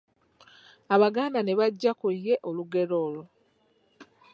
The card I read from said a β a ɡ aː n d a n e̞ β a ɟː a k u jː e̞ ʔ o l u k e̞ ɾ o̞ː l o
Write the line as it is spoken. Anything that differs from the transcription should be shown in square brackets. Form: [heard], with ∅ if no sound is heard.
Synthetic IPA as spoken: a β a ɡ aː n d a n e̞ β a ɟː a k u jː e̞ ʔ o l u [ɡ] e̞ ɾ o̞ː l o